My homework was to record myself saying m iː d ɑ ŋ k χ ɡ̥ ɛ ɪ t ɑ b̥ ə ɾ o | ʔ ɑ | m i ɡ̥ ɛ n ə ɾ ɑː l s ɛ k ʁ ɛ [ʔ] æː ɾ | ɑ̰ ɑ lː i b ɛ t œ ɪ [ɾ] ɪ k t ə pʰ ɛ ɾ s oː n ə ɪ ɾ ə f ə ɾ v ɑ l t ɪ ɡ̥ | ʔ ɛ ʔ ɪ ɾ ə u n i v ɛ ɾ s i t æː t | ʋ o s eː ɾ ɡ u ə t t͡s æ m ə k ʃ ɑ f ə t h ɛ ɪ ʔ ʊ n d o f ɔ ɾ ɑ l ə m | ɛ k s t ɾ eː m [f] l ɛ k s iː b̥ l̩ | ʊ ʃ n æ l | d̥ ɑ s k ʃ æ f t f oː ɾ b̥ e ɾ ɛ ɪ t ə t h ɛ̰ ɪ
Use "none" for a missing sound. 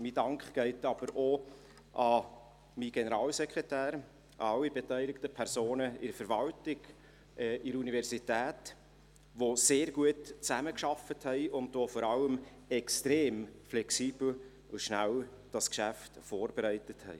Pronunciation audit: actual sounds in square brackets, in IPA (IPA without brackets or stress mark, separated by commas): t, l, f